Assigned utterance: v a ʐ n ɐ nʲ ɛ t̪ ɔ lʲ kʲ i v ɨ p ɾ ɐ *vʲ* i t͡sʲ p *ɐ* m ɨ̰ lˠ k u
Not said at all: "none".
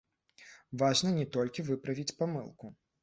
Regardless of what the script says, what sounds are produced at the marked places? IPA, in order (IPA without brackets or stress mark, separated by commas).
vʲ, a